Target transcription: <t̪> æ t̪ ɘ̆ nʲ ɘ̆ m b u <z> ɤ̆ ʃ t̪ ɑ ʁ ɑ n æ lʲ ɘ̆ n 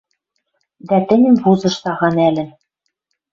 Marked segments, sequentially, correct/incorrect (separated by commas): incorrect, correct